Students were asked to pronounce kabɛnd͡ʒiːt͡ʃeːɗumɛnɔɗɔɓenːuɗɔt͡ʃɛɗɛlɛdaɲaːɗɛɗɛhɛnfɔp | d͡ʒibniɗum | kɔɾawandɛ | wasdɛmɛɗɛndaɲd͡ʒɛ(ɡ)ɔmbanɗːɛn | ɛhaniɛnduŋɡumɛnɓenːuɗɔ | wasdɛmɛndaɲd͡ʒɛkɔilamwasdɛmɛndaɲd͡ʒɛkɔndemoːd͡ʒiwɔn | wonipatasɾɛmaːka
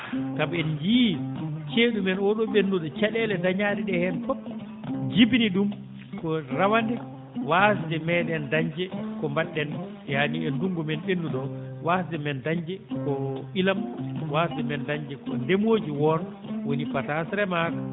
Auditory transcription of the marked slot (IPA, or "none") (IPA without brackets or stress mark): k